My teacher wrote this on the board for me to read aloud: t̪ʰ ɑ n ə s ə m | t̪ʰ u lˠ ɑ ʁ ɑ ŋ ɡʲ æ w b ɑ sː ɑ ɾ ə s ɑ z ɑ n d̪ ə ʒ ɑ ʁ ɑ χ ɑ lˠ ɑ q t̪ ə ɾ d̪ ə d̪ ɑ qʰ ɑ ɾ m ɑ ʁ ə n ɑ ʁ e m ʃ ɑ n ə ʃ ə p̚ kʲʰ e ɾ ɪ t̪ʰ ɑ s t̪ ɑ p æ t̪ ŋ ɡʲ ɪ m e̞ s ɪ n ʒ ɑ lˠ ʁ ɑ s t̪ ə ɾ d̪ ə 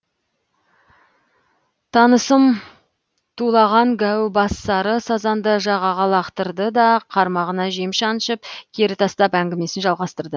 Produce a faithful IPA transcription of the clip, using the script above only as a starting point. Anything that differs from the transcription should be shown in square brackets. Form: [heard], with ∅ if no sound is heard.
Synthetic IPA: t̪ʰ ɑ n ə s ə m | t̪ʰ u lˠ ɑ ʁ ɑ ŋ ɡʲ æ w b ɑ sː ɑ ɾ ə s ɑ z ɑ n d̪ ə ʒ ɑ ʁ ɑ [ʁ] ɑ lˠ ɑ q t̪ ə ɾ d̪ ə d̪ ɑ qʰ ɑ ɾ m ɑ ʁ ə n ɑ [ʒ] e m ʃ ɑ n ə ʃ ə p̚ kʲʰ e ɾ ɪ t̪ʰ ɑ s t̪ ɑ p æ [∅] ŋ ɡʲ ɪ m e̞ s ɪ n ʒ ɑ lˠ ʁ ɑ s t̪ ə ɾ d̪ ə